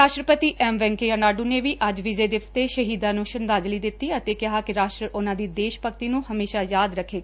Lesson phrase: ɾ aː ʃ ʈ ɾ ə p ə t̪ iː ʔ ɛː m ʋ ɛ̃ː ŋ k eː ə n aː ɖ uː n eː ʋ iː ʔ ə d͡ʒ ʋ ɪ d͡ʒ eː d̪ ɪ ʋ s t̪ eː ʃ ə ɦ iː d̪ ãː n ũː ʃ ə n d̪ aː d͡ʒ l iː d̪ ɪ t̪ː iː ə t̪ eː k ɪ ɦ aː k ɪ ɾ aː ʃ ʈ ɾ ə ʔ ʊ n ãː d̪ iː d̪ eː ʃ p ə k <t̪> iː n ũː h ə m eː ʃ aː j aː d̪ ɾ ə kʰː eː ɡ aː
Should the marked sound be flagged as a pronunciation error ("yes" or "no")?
no